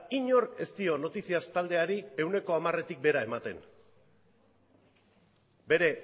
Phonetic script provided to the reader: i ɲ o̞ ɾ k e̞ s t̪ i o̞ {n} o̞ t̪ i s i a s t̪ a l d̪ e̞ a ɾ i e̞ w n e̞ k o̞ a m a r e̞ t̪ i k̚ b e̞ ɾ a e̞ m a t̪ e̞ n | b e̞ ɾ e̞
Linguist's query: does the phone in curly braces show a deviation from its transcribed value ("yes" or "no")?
no